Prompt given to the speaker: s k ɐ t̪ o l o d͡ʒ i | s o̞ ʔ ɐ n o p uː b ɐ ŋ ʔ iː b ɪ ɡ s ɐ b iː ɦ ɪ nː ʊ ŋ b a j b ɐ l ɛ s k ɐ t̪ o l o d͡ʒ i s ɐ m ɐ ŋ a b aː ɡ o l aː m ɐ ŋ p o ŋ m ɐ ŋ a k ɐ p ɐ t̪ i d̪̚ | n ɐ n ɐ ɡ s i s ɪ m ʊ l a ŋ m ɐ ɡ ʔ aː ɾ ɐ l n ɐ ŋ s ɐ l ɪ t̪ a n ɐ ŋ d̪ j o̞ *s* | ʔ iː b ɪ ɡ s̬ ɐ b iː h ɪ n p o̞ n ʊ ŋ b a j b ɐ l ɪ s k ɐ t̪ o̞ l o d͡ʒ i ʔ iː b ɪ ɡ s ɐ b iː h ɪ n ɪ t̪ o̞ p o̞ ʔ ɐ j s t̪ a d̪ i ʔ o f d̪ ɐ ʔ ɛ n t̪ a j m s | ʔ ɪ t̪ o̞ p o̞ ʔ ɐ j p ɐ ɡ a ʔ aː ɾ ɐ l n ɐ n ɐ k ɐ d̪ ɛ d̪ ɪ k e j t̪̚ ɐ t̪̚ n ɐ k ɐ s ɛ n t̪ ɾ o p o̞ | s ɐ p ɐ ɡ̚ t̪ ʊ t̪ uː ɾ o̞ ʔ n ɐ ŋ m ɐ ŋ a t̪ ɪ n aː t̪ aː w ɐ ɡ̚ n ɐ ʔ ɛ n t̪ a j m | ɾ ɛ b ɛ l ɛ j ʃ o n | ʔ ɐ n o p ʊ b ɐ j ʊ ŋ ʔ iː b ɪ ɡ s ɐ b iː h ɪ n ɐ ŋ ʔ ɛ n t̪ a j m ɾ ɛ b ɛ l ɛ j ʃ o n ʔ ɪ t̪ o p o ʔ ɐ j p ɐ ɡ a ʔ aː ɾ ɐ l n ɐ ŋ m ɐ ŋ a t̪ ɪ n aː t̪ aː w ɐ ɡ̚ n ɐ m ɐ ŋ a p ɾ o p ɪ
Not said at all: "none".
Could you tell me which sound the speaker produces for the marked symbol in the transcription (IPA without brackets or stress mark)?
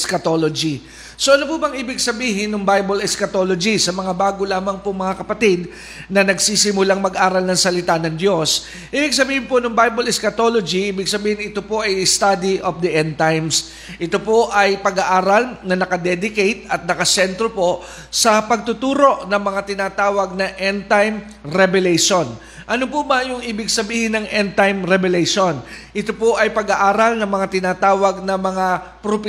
s